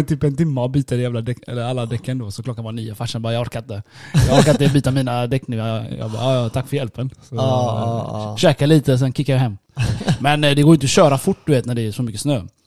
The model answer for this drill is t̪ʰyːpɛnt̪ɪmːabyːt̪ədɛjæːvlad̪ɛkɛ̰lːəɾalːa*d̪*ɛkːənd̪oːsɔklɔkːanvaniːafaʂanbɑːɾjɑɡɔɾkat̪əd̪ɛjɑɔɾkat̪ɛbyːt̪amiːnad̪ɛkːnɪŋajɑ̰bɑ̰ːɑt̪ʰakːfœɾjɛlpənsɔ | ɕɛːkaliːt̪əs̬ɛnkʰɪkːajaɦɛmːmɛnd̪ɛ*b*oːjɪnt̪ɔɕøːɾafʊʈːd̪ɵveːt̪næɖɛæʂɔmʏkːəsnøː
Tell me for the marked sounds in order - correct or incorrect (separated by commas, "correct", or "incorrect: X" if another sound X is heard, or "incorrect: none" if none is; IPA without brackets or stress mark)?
correct, incorrect: ɡ